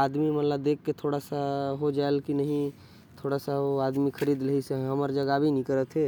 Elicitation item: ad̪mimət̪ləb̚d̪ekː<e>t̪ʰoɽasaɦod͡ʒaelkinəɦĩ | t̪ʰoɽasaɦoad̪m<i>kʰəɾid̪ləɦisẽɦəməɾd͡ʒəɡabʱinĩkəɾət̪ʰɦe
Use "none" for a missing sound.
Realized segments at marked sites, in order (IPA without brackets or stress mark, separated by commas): e, i